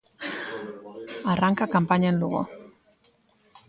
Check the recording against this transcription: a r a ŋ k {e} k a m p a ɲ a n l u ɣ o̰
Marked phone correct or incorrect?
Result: incorrect